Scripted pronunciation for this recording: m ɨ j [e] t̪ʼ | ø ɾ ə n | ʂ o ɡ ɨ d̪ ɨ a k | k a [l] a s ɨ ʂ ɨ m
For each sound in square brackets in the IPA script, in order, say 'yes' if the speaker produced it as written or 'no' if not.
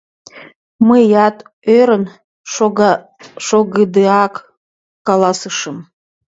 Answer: no, yes

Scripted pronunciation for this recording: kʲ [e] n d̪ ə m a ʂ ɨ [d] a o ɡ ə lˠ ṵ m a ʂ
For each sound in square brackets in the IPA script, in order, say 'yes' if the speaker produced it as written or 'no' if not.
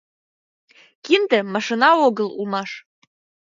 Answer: no, no

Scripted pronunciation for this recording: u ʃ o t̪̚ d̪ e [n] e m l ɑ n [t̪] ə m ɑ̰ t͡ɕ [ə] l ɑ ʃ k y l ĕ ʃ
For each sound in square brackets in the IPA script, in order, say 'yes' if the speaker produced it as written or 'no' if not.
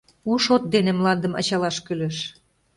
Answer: yes, no, no

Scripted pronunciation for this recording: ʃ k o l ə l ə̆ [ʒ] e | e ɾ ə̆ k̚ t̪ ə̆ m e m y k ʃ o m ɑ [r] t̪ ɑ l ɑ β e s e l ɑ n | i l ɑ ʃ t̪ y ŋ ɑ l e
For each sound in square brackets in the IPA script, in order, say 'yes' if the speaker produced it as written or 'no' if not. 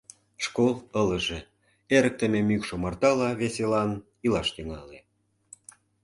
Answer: yes, yes

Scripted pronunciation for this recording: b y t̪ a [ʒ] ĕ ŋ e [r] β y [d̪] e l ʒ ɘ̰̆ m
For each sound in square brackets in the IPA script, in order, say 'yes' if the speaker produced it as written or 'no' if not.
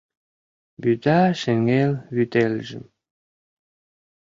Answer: no, no, no

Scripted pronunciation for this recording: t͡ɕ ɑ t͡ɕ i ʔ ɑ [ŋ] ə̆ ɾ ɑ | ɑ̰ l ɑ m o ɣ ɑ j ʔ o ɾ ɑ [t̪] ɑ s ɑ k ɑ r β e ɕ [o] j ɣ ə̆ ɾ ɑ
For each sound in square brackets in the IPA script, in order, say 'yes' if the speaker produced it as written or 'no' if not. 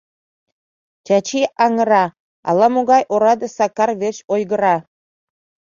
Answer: yes, no, yes

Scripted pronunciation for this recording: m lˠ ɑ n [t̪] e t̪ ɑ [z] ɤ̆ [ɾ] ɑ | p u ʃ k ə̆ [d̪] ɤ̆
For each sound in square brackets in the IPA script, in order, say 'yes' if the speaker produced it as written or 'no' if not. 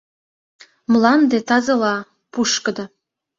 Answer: no, yes, no, yes

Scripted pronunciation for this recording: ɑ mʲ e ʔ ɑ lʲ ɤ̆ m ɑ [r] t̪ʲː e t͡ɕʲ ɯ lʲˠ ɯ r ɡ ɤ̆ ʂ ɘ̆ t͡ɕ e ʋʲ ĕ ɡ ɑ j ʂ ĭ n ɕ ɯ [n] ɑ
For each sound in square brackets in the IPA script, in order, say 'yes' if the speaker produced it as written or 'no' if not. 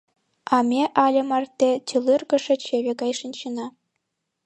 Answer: yes, yes

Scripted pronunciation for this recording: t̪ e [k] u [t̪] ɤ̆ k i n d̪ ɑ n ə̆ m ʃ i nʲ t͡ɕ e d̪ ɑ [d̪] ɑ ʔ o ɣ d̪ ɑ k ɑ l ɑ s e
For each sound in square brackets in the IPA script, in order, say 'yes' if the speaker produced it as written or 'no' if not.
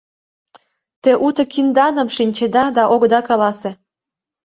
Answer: no, yes, yes

